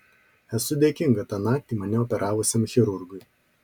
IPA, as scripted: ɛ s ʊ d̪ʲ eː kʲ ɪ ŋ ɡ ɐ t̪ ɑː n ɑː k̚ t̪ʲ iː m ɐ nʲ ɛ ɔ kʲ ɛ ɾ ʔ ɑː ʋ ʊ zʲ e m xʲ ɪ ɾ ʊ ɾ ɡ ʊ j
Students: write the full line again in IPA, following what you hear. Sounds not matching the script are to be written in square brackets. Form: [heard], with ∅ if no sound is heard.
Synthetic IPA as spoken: ɛ s ʊ d̪ʲ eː kʲ ɪ ŋ ɡ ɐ t̪ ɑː n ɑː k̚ t̪ʲ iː m ɐ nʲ ɛ ɔ [pʲ] ɛ ɾ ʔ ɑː ʋ ʊ [sʲ] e m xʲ ɪ ɾ ʊ ɾ ɡ ʊ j